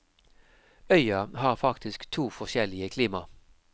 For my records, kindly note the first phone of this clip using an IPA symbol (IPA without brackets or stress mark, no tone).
œ